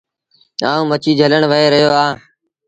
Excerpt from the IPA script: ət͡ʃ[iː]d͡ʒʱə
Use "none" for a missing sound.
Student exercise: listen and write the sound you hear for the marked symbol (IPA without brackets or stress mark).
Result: iː